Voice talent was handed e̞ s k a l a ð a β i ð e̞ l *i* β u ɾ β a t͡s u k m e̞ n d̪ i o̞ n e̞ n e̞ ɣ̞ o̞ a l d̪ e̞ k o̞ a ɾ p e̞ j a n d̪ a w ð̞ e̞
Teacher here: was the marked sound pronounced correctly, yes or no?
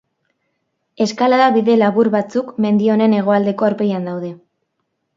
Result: no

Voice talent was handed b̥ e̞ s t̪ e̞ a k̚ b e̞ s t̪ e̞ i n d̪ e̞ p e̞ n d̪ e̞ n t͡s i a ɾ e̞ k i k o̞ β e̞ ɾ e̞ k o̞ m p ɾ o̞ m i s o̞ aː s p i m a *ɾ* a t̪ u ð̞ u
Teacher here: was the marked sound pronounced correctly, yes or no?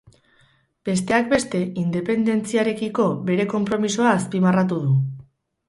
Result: no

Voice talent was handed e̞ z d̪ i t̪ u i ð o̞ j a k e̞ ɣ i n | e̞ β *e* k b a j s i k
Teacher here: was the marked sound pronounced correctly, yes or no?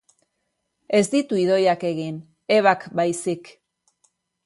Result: no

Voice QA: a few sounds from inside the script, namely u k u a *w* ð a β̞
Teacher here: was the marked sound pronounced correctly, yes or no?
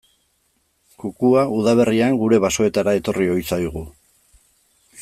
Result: no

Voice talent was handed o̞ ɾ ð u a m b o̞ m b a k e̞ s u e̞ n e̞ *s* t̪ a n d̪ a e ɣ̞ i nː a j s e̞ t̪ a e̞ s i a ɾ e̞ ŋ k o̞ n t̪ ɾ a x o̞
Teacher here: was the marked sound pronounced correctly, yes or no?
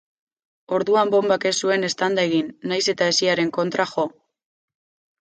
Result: yes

